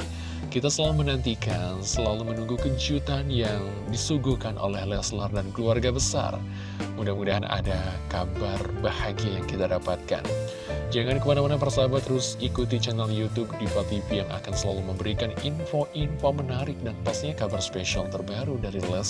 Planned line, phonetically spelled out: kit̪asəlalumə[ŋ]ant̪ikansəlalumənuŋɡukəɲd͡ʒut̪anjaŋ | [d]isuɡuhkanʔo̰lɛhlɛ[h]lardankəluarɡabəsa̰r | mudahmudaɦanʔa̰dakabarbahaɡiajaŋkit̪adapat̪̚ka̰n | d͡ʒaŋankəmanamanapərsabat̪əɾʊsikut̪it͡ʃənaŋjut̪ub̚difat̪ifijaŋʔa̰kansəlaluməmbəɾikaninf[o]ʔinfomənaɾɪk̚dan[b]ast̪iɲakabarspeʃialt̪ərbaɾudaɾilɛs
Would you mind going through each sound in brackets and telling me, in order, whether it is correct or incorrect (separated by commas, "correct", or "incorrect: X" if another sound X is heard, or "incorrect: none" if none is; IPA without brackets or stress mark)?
incorrect: n, correct, incorrect: s, correct, incorrect: p